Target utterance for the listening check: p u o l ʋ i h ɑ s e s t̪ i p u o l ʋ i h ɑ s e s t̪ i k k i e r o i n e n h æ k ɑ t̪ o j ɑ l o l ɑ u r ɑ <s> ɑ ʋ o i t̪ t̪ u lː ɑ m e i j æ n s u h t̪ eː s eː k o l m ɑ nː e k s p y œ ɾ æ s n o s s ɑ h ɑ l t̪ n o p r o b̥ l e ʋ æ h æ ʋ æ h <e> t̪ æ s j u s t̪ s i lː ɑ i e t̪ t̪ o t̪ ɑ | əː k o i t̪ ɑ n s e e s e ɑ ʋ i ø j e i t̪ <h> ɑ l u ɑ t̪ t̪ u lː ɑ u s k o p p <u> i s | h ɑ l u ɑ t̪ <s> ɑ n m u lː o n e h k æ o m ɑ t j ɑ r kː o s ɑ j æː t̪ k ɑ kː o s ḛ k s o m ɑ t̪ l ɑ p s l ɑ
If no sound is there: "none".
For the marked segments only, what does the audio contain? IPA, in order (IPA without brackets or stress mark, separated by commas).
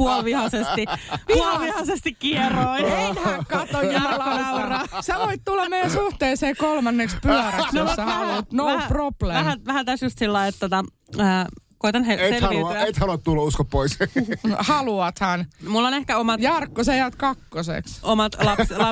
s, æ, h, o, h